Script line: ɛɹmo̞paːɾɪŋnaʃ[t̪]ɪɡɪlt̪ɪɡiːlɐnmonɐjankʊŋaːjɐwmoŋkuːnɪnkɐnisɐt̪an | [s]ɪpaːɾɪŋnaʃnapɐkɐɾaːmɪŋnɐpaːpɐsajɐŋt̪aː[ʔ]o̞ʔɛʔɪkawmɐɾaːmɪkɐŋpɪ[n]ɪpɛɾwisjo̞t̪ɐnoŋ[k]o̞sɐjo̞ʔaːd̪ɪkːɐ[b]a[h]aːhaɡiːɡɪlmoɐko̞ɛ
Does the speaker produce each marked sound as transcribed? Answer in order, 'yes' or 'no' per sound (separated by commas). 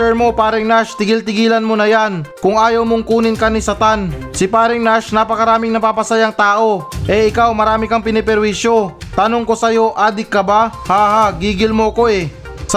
yes, yes, yes, yes, yes, yes, yes